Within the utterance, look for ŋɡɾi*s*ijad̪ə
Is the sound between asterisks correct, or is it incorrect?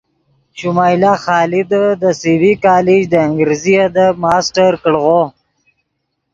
incorrect: z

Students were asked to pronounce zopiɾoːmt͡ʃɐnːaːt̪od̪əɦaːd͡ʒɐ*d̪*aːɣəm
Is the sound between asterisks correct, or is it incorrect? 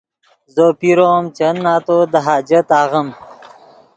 incorrect: t̪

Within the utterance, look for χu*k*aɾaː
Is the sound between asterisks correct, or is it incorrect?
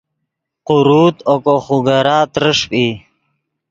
incorrect: ɡ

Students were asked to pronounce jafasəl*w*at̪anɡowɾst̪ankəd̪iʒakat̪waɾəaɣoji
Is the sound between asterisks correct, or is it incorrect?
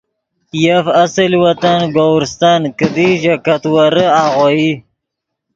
correct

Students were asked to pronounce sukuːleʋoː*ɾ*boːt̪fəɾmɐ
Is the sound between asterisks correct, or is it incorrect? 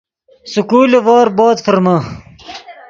correct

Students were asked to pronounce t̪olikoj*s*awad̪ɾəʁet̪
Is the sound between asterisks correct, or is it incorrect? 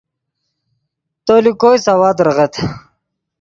correct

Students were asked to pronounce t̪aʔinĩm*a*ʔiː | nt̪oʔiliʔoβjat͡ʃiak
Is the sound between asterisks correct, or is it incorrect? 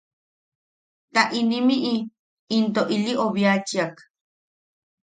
incorrect: i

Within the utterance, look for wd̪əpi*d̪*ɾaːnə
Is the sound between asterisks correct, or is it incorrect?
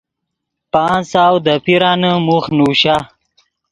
incorrect: none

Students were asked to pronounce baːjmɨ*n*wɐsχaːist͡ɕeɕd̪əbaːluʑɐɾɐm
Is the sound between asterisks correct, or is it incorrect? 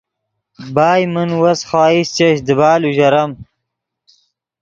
correct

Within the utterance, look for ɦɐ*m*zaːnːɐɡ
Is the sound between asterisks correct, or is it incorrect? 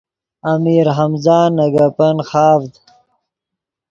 correct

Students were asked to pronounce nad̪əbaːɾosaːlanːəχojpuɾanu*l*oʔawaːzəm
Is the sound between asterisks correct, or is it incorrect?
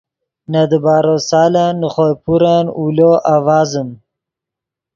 correct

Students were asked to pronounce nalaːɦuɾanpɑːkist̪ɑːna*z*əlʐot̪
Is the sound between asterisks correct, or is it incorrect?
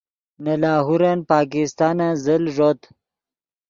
correct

